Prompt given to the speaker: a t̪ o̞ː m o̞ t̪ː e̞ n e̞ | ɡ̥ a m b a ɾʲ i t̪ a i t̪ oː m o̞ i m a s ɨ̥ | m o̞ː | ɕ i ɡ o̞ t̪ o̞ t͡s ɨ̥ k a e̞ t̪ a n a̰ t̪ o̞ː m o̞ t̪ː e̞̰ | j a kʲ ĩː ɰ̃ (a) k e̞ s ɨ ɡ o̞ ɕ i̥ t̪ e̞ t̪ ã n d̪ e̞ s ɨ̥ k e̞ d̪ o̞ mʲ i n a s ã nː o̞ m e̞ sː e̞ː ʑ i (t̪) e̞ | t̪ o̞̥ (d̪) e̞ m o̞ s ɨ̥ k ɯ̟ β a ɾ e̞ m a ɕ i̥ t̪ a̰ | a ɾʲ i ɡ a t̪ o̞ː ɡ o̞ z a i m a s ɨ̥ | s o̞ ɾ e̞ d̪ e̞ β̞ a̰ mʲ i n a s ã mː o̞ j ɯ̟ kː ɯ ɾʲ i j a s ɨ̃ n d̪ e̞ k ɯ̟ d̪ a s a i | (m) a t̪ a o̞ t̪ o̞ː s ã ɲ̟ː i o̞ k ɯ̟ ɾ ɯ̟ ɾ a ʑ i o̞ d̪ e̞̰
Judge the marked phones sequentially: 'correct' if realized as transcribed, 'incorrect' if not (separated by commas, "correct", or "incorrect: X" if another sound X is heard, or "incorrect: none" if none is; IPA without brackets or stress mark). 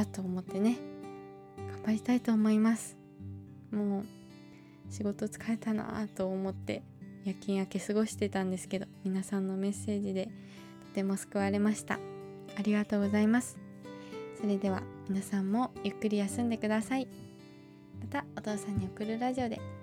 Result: correct, incorrect: d̪, incorrect: t̪, correct